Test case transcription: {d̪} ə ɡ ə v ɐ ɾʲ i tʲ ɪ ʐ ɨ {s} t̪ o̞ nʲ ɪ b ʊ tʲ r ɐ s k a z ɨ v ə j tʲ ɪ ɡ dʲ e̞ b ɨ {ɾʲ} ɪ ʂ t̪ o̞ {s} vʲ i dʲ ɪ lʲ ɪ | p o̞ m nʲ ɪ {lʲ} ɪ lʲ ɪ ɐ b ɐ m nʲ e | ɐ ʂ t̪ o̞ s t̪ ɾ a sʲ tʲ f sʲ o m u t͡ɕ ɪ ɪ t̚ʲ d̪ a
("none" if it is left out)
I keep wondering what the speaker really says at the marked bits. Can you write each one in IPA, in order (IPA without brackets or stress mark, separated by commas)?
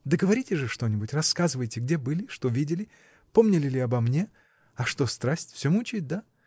d̪, ʂ, lʲ, none, lʲ